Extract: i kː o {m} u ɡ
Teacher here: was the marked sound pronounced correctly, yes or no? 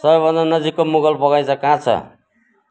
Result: yes